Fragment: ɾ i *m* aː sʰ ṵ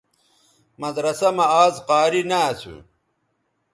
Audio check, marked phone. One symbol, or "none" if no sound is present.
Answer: n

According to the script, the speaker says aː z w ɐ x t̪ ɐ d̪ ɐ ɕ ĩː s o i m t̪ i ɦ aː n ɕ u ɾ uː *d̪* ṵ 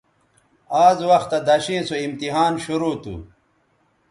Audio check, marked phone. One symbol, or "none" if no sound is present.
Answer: t̪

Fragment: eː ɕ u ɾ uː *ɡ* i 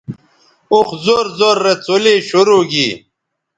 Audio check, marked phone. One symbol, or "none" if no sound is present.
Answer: ɡ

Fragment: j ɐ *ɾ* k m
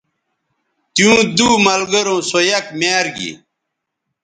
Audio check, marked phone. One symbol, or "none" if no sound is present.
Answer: none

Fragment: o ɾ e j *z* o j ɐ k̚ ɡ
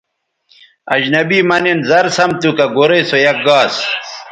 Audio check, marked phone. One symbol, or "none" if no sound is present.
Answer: s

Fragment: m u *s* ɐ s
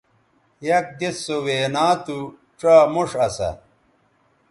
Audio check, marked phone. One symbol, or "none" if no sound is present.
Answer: ʂ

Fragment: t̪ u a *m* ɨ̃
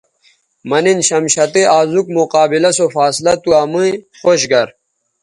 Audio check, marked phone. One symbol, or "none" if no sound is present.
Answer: m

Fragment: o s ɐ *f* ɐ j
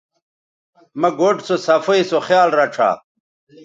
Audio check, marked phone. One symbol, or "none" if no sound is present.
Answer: f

